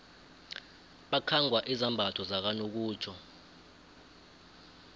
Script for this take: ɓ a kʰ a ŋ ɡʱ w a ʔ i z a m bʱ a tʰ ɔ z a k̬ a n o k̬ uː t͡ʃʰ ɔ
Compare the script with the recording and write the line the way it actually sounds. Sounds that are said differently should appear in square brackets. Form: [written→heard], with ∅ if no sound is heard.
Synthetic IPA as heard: ɓ a kʰ a ŋ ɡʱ w a ʔ i z a m bʱ a tʰ ɔ z a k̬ a n o k̬ uː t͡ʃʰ ɔ